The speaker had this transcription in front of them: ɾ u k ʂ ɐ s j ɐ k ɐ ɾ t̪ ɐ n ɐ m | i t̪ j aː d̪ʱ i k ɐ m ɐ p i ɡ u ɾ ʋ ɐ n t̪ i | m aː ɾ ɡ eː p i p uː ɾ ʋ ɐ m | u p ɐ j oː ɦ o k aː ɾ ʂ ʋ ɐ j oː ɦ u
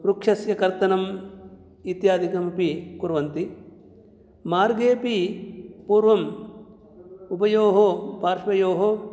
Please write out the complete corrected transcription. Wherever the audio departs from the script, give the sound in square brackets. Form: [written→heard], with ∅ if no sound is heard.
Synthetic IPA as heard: ɾ u k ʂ ɐ s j ɐ k ɐ ɾ t̪ ɐ n ɐ m | i t̪ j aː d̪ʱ i k ɐ m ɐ p i [ɡ→k] u ɾ ʋ ɐ n t̪ i | m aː ɾ ɡ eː p i p uː ɾ ʋ ɐ m | u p ɐ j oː ɦ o [k→p] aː ɾ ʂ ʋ ɐ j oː ɦ [u→o]